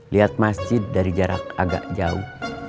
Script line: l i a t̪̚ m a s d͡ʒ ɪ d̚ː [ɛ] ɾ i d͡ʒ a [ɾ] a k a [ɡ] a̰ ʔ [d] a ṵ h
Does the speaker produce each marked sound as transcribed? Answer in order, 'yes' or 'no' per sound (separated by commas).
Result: no, yes, yes, no